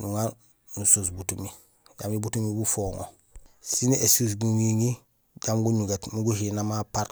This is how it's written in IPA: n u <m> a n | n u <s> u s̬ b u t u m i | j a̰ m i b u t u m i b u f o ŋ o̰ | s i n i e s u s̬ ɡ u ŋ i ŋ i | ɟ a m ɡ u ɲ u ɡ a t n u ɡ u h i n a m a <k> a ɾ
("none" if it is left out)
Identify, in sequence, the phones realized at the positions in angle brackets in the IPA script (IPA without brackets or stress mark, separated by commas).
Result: ŋ, s, p